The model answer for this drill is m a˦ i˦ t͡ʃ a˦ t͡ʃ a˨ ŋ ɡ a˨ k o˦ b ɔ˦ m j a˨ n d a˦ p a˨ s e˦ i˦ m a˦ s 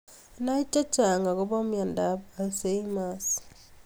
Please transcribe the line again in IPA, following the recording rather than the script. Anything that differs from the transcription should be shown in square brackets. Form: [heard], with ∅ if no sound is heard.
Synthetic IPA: [n] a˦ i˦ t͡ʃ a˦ t͡ʃ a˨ ŋ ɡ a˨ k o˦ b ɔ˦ m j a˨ n d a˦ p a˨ s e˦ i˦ m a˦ s